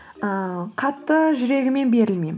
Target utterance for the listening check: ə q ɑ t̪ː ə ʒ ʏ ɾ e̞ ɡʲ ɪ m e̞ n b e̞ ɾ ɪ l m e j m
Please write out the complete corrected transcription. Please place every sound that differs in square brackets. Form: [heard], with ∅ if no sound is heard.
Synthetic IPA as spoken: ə [qʰ] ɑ t̪ː ə ʒ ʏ ɾ e̞ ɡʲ ɪ m e̞ n b e̞ ɾ ɪ l m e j m